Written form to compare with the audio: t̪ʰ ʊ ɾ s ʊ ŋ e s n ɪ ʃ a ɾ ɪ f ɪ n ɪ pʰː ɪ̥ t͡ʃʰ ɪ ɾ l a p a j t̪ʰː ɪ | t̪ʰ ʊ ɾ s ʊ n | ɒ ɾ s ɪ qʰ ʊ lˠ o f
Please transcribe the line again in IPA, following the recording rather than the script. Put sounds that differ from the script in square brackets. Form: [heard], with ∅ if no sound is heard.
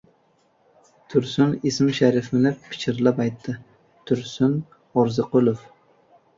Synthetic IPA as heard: t̪ʰ ʊ ɾ s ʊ [n] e s [m] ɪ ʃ a ɾ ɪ f ɪ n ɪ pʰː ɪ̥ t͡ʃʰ ɪ ɾ l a p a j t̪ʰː ɪ | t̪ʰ ʊ ɾ s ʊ n | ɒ ɾ [z] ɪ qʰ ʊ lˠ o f